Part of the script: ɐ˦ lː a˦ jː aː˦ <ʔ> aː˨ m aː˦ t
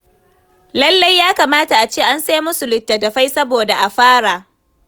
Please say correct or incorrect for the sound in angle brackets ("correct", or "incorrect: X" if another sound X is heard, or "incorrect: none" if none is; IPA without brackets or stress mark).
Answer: incorrect: k